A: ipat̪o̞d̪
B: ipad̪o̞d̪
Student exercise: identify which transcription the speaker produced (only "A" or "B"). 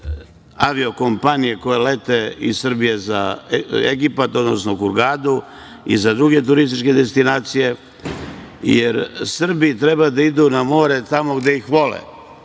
A